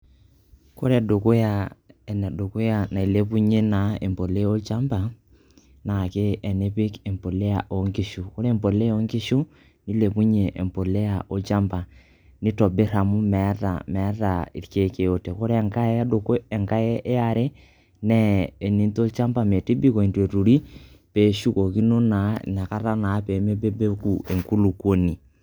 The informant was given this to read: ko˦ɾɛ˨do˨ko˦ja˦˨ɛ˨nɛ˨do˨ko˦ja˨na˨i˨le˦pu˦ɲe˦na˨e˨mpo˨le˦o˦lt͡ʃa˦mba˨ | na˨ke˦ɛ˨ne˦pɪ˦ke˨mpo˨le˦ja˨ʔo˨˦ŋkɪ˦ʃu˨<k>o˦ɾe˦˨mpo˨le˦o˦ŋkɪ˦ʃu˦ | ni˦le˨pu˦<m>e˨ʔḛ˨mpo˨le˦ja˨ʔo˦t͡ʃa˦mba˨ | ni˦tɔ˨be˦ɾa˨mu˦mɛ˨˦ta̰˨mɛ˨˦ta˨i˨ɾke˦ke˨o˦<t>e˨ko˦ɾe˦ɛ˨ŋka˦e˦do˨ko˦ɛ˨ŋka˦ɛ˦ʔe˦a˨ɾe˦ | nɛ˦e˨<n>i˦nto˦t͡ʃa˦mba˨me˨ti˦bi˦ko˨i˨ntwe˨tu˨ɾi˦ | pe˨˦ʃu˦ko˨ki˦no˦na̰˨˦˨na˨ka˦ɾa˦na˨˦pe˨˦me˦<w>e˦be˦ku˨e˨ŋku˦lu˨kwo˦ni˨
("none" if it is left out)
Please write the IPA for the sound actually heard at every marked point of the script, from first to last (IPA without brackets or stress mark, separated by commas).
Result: k, ɲ, t, n, b